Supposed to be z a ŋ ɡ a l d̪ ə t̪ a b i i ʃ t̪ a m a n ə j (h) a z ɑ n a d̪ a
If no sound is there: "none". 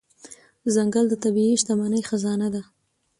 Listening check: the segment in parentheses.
x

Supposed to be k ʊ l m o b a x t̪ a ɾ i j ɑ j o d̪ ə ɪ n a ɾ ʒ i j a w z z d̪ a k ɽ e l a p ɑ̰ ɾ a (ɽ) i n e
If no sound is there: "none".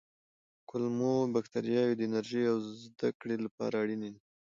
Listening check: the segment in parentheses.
ɽ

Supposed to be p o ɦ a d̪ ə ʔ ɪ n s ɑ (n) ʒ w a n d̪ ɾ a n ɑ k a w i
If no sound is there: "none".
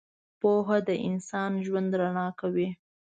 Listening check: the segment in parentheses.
n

